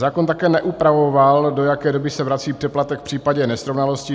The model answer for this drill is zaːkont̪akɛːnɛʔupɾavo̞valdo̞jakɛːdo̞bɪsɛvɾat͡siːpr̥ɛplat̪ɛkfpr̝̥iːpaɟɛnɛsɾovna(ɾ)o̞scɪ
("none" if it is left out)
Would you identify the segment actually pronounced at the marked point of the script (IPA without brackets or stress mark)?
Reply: l